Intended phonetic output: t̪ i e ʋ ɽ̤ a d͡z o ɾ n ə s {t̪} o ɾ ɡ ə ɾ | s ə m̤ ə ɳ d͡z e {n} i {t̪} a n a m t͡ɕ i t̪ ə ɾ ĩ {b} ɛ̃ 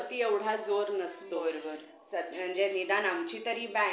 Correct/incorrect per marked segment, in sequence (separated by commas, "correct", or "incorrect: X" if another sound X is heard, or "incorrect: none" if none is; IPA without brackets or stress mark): correct, correct, incorrect: d̪, correct